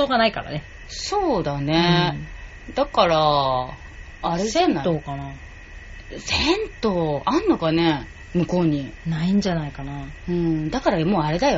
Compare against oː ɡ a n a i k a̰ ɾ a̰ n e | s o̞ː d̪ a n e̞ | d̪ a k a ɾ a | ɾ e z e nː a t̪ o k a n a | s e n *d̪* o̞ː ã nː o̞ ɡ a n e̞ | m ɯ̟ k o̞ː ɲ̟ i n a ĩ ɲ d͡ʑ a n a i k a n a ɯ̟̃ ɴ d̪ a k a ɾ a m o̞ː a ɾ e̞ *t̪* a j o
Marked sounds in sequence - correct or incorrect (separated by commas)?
incorrect, incorrect